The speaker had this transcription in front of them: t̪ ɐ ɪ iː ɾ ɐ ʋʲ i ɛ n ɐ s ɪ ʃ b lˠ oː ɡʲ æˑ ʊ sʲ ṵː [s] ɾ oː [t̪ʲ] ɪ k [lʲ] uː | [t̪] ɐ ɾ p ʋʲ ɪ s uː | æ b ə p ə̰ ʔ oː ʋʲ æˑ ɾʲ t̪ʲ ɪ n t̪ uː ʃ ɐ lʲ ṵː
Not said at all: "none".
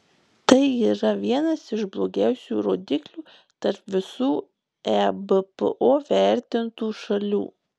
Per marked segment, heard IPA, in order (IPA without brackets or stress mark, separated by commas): none, d̪ʲ, lʲ, t̪